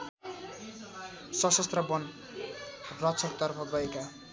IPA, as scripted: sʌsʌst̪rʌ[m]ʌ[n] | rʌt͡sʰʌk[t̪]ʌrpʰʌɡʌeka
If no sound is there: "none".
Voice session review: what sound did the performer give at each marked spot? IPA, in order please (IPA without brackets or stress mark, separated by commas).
b, n, t̪